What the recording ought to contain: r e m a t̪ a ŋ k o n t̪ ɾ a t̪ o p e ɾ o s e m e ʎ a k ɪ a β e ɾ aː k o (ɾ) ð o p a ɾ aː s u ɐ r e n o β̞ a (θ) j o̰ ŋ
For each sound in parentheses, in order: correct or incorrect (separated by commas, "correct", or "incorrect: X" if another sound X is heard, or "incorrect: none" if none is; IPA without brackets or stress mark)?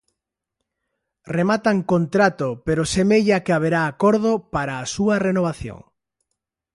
correct, correct